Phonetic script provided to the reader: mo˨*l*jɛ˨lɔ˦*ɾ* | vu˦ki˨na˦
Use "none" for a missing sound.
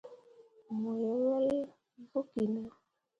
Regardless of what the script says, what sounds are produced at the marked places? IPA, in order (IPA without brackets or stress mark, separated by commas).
none, l